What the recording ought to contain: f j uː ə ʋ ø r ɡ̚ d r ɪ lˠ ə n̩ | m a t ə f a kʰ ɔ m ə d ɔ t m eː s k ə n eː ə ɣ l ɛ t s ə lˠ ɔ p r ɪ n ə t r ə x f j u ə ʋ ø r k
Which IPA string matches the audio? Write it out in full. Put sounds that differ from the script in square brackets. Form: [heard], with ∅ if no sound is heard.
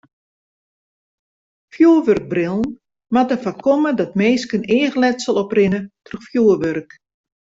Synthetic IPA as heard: f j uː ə ʋ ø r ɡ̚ [b] r ɪ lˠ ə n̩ | m a t ə f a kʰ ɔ m ə d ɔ t m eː s k ə n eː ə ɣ l ɛ t s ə lˠ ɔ p r ɪ n ə t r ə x f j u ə ʋ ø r k